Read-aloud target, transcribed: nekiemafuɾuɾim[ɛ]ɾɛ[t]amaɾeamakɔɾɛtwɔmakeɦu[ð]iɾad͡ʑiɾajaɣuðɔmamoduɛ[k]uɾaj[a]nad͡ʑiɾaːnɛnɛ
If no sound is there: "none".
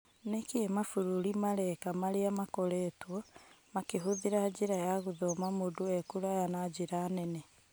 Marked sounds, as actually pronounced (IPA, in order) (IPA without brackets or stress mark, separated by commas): a, k, ð, k, a